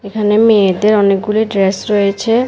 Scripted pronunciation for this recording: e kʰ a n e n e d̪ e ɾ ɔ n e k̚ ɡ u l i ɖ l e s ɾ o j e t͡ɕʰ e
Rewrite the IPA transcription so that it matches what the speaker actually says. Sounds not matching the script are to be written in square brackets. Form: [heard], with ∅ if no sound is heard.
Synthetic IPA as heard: e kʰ a n e [m] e d̪ e ɾ ɔ n e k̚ ɡ u l i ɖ [ɾ] e s ɾ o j e t͡ɕʰ e